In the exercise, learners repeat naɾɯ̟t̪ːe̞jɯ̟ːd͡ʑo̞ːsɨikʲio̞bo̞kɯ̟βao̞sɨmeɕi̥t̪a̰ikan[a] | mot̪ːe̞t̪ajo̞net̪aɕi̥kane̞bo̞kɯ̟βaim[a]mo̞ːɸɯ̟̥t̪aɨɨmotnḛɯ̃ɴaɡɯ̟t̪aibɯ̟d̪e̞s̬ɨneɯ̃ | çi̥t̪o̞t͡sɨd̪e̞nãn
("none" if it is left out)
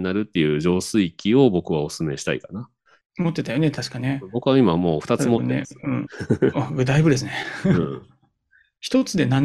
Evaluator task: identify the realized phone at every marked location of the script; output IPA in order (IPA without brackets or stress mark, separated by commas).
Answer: a, a